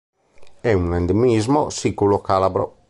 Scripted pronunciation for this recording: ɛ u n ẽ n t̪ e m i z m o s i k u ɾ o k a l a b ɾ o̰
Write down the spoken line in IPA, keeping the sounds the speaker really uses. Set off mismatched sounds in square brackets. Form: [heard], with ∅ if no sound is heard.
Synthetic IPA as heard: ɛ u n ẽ n [d̪] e m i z m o s i k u [l] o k a l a b ɾ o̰

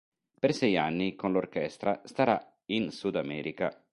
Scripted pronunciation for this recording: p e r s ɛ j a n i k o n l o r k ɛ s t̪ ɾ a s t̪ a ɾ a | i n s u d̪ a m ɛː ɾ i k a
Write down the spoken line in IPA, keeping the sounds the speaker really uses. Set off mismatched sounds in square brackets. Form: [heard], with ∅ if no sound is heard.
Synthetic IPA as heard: p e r s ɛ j a [nː] i k o n l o r k ɛ s t̪ ɾ a s t̪ a ɾ a | i n s u d̪ a m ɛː ɾ i k a

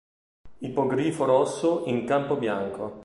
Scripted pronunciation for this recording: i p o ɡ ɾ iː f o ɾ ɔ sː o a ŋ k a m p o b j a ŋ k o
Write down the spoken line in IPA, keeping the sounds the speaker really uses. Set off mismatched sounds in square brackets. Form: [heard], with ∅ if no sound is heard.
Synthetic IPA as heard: i p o ɡ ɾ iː f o ɾ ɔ sː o [i] ŋ k a m p o b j a ŋ k o

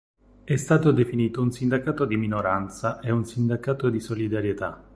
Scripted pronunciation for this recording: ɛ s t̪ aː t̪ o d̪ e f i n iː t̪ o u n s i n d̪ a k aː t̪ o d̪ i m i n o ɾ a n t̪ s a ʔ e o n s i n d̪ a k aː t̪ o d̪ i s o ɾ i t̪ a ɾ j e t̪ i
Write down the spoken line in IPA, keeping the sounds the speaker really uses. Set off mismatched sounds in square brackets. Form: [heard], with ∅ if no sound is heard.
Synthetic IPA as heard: ɛ s t̪ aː t̪ o d̪ e f i n iː t̪ o u n s i n d̪ a k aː t̪ o d̪ i m i n o ɾ a n t̪ s a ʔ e [u] n s i n d̪ a k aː t̪ o d̪ i s o [l] i [d̪] a ɾ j e t̪ [a]

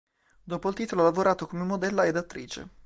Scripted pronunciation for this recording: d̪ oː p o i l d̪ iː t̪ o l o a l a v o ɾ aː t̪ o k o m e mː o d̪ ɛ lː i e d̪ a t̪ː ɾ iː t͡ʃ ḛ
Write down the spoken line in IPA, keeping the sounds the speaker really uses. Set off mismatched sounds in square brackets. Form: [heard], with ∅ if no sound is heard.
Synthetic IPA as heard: d̪ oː p o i l [t̪] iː t̪ o l o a l a v o ɾ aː t̪ o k o m e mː o d̪ ɛ lː [a] e d̪ a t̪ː ɾ iː t͡ʃ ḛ

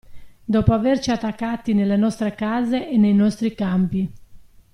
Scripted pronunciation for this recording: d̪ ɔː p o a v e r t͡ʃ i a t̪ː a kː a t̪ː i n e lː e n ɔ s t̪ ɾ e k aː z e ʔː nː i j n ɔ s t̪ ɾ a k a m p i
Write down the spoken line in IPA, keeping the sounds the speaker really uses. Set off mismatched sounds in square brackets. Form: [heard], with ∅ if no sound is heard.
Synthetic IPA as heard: d̪ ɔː p o a v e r t͡ʃ i a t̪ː a kː a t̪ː i n e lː e n ɔ s t̪ ɾ e k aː z e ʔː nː [e] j n ɔ s t̪ ɾ [i] k a m p i

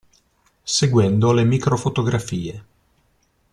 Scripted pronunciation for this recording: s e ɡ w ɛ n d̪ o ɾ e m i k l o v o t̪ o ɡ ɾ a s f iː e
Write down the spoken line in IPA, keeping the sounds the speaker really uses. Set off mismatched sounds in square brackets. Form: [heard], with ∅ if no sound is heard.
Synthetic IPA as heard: s e ɡ w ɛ n d̪ o [l] e m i k [ɾ] o [f] o t̪ o ɡ ɾ a [∅] f iː e

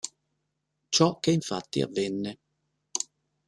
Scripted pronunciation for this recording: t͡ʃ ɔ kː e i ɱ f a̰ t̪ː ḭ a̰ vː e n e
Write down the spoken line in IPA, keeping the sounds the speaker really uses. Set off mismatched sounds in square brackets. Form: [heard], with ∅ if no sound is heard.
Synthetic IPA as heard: t͡ʃ ɔ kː e i ɱ f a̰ t̪ː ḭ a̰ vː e [nː] e

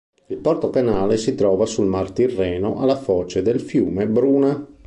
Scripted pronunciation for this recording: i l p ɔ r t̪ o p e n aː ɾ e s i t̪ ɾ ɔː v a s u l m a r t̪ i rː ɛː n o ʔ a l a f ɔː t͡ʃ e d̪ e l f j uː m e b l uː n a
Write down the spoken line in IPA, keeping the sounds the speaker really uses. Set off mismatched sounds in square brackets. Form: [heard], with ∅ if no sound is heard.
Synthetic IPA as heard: i l p ɔ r t̪ o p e n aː [l] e s i t̪ ɾ ɔː v a s u l m a r t̪ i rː ɛː n o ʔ a l a f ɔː t͡ʃ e d̪ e l f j uː m e b [ɾ] uː n a

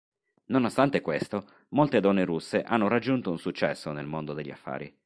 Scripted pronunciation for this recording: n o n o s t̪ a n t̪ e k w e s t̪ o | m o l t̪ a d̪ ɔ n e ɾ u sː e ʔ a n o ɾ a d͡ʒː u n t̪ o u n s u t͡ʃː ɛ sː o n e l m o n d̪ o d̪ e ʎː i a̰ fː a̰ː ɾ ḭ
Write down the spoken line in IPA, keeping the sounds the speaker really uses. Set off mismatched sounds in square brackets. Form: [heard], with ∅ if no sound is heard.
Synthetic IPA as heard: n o n o s t̪ a n t̪ e k w e s t̪ o | m o l t̪ [e] d̪ ɔ [nː] e ɾ u sː e ʔ a [nː] o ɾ a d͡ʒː u n t̪ o u n s u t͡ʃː ɛ sː o n e l m o n d̪ o d̪ e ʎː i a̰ fː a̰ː ɾ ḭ

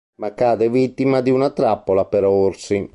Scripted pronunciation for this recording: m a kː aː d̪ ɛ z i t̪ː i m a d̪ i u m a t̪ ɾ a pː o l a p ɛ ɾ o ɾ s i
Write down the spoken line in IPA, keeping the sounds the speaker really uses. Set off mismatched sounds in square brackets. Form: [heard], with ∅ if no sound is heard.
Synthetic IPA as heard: m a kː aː d̪ ɛ [v] i t̪ː i m a d̪ i u [n] a t̪ ɾ a pː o l a p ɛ ɾ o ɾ s i

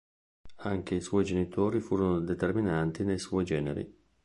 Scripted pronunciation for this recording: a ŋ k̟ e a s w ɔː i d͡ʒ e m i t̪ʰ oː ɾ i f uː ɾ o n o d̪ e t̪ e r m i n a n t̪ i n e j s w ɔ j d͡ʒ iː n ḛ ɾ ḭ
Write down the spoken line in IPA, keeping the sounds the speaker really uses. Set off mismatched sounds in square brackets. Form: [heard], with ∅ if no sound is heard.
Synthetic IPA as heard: a ŋ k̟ e [i] s w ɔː [j] d͡ʒ e [n] i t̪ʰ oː ɾ i f uː ɾ o n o d̪ e t̪ e r m i n a n t̪ i n e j s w ɔ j d͡ʒ [ɛː] n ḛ ɾ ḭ

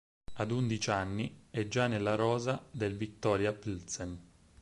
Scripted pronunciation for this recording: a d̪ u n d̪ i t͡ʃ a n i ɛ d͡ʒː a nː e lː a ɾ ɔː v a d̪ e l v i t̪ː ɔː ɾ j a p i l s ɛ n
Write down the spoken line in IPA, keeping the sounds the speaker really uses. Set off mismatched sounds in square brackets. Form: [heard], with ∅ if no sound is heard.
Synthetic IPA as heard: a d̪ u n d̪ i t͡ʃ a [nː] i ɛ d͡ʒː a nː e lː a ɾ ɔː [z] a d̪ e l v i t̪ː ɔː ɾ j a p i l s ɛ n

